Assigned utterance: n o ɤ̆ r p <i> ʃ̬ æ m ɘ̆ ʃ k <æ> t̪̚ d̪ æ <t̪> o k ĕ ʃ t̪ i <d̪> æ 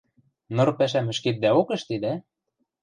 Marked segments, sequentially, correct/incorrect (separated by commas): incorrect, incorrect, incorrect, correct